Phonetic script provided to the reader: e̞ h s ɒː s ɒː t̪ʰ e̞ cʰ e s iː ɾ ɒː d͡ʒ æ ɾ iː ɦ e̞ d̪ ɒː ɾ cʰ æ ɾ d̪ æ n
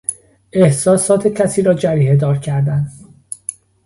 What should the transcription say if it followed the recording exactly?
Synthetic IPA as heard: e̞ h s ɒː s ɒː t̪ʰ e̞ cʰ æ s iː ɾ ɒː d͡ʒ æ ɾ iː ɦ e̞ d̪ ɒː ɾ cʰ æ ɾ d̪ æ n